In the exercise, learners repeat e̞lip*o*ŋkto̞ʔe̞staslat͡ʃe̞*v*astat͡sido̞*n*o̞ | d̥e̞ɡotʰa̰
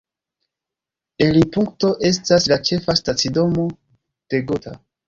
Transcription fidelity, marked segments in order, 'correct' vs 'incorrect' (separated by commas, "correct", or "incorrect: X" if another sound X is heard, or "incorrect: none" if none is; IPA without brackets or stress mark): incorrect: u, incorrect: f, incorrect: m